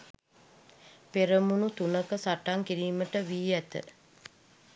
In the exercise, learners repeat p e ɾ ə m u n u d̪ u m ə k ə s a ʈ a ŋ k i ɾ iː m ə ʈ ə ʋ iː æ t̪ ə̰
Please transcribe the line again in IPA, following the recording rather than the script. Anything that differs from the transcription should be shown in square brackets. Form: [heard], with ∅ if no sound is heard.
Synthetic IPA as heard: p e ɾ ə m u n u [t̪] u [n] ə k ə s a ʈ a ŋ k i ɾ iː m ə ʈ ə ʋ iː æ t̪ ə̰